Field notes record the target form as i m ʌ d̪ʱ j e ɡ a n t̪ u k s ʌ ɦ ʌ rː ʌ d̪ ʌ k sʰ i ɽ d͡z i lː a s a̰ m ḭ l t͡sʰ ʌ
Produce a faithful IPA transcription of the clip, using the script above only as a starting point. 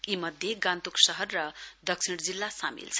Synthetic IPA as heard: i m ʌ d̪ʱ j e ɡ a n t̪ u k s ʌ ɦ ʌ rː ʌ d̪ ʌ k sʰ i ɽ d͡z i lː a s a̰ m ḭ l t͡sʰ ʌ